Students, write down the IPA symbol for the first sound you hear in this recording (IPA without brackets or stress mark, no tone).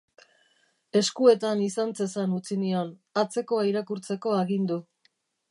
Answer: e̞